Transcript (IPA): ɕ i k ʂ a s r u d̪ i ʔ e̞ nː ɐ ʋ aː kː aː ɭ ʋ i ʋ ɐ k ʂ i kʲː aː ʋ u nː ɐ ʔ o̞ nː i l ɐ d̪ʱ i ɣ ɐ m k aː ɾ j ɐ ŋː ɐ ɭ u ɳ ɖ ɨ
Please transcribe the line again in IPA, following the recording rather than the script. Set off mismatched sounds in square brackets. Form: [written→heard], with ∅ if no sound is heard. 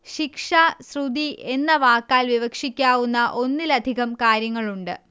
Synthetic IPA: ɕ i k ʂ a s r u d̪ i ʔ e̞ nː ɐ ʋ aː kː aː [ɭ→l] ʋ i ʋ ɐ k ʂ i kʲː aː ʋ u nː ɐ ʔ o̞ nː i l ɐ d̪ʱ i ɣ ɐ m k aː ɾ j ɐ ŋː ɐ ɭ u ɳ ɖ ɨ